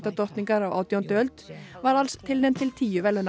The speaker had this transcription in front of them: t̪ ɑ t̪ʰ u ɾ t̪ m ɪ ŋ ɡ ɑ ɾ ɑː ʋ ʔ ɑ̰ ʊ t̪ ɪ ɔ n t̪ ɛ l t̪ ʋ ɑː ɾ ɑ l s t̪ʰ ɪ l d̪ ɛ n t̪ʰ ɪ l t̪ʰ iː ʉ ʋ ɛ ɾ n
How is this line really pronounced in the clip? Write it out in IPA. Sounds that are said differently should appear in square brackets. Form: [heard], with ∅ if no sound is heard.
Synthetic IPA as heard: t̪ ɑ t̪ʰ [ɔ] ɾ t̪ [n] ɪ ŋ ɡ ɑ ɾ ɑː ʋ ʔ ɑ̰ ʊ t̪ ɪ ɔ n t̪ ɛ l t̪ ʋ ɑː ɾ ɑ l s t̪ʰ ɪ l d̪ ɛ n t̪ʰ ɪ l t̪ʰ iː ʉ ʋ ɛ [l] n